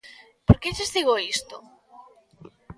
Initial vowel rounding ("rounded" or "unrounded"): rounded